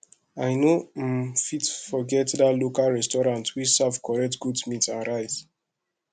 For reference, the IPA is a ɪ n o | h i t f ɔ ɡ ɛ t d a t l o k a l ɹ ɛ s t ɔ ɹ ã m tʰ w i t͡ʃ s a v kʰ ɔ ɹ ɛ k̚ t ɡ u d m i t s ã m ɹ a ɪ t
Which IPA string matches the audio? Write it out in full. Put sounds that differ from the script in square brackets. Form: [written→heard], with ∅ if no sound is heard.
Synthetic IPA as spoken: a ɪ n o | [h→f] i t f ɔ ɡ ɛ t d a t l o k a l ɹ ɛ s t ɔ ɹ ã [m→n] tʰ w i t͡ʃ s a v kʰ ɔ ɹ ɛ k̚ t ɡ u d m i t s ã [m→n] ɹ a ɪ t